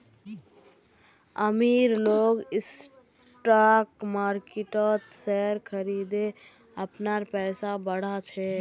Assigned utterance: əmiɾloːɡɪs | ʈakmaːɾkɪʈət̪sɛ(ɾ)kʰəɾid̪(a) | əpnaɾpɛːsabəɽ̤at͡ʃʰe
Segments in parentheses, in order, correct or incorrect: correct, incorrect

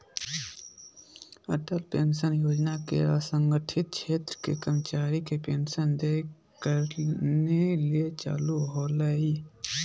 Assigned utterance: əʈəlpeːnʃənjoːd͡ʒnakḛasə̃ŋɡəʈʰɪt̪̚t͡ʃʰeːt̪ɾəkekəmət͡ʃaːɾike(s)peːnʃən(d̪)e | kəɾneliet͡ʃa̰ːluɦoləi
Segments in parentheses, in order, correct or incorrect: incorrect, correct

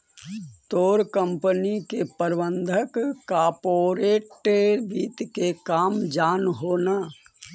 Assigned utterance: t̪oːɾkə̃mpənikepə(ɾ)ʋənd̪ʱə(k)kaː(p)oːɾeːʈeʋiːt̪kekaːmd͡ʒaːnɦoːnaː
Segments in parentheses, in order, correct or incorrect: correct, correct, correct

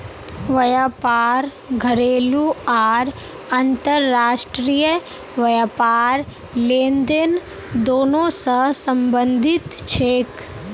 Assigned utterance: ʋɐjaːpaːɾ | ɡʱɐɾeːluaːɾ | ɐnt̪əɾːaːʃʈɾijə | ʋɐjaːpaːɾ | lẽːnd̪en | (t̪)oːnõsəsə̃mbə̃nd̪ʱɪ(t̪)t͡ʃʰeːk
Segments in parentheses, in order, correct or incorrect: incorrect, correct

